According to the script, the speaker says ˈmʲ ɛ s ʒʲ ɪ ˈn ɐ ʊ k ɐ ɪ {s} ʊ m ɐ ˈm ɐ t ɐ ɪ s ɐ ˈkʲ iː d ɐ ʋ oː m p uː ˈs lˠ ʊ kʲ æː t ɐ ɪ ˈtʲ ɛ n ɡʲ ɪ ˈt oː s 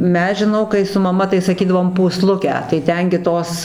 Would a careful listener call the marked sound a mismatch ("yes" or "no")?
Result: no